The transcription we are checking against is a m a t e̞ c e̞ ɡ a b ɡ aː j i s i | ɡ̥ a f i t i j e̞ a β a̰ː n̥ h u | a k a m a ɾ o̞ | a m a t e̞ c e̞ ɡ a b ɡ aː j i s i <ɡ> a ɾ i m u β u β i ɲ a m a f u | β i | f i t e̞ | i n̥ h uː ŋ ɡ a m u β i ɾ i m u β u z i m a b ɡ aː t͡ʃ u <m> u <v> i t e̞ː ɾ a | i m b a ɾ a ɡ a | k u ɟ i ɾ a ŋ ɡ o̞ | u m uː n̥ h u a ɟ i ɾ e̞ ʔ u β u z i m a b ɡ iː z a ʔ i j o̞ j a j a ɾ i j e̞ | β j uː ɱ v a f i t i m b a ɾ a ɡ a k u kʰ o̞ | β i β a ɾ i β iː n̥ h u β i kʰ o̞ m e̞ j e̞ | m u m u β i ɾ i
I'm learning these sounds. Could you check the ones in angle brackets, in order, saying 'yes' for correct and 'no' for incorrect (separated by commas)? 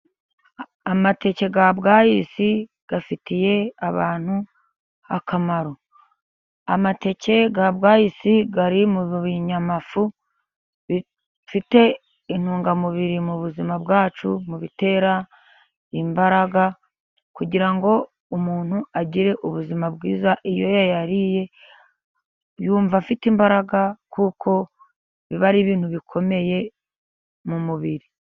yes, yes, no